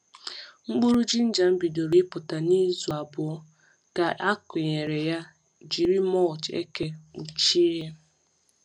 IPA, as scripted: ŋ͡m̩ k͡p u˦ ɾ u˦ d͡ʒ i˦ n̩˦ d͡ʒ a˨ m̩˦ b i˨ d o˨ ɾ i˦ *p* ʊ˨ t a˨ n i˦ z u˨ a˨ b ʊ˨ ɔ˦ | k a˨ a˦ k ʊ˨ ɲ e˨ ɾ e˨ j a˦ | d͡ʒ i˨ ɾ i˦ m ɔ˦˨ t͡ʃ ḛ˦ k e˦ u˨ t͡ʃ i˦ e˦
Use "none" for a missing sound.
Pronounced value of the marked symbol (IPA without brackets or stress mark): p